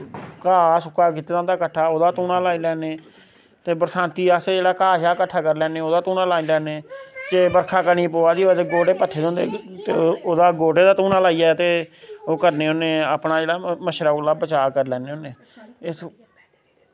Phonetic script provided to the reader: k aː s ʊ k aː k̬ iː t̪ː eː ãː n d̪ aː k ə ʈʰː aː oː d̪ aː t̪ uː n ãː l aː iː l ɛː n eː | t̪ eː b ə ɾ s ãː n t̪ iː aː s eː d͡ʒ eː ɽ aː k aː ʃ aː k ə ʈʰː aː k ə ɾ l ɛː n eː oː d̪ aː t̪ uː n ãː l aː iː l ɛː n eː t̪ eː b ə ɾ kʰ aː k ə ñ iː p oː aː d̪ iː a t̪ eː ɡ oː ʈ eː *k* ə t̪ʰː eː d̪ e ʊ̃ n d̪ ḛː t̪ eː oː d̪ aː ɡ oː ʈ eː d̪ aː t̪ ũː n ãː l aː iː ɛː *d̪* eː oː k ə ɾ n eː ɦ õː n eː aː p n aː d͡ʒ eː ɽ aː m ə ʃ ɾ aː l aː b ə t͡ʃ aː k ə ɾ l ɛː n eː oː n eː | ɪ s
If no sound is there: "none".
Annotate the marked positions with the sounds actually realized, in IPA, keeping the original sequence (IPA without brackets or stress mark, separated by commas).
p, t̪